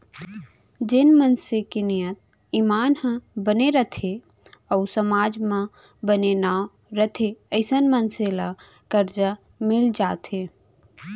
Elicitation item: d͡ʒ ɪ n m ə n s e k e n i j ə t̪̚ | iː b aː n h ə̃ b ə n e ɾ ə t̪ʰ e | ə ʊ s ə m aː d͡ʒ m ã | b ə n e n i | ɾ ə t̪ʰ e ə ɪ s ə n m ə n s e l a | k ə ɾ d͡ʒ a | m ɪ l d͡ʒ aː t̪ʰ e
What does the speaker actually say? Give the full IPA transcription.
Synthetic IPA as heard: d͡ʒ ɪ n m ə n s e k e n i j ə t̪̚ | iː m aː n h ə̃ b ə n e ɾ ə t̪ʰ e | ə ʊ s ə m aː d͡ʒ m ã | b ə n e n a | ɾ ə t̪ʰ e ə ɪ s ə n m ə n s e l a | k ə ɾ d͡ʒ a | m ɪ l d͡ʒ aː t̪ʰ e